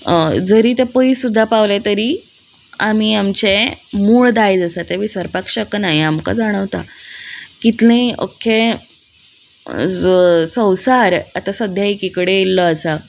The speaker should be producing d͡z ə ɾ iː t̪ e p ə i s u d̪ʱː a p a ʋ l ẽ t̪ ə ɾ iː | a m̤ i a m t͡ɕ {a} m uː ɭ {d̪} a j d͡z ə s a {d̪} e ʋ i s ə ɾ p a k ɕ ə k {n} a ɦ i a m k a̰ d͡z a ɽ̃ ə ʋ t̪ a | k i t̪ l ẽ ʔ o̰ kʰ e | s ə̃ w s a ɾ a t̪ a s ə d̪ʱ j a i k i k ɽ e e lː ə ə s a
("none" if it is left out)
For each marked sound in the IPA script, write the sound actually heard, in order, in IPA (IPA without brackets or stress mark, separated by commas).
e, d̪, t̪, n